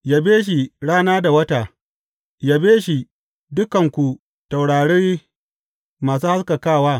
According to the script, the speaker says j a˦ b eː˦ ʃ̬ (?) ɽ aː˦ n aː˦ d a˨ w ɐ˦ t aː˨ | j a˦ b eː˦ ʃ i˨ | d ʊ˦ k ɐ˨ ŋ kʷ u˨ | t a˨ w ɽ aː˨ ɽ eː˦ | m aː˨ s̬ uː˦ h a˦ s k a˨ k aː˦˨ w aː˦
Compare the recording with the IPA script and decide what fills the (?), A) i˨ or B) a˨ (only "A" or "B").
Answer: A